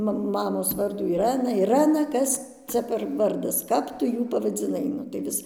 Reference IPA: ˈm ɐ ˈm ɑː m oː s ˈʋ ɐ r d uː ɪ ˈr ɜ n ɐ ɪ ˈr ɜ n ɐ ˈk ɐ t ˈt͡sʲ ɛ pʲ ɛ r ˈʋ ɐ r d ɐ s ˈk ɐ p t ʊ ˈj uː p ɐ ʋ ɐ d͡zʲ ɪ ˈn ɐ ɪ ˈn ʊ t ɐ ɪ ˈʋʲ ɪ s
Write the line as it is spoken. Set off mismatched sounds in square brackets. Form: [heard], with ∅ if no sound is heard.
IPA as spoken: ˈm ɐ ˈm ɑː m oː s ˈʋ ɐ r d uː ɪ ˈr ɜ n ɐ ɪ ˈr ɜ n ɐ ˈk ɐ [s] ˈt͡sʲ ɛ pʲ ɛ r ˈʋ ɐ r d ɐ s ˈk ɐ p t ʊ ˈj uː p ɐ ʋ ɐ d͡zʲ ɪ ˈn ɐ ɪ ˈn ʊ t ɐ ɪ ˈʋʲ ɪ s